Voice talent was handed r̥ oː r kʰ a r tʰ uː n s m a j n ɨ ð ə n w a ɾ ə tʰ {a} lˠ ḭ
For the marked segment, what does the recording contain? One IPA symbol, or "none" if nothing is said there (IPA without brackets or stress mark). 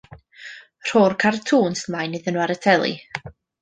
ɛ